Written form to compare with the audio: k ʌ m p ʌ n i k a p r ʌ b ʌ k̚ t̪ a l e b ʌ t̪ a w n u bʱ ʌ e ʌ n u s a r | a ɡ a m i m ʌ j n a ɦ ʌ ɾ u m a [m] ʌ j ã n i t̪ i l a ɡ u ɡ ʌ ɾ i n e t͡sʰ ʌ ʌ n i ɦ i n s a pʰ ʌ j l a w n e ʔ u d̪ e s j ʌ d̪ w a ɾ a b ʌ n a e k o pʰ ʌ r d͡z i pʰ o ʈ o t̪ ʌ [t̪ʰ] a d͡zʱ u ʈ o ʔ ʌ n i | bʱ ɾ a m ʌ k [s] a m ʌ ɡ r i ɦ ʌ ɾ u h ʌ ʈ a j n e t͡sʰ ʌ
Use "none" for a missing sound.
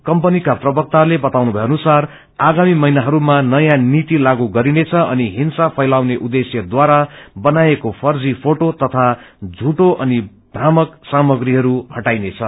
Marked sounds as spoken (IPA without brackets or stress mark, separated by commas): n, t̪ʰ, s